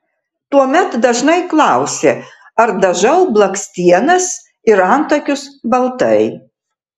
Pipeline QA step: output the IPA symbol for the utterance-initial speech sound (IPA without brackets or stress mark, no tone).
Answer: t̪